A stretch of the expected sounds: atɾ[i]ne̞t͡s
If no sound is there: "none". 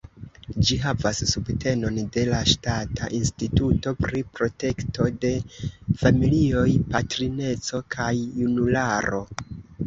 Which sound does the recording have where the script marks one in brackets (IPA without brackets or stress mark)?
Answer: i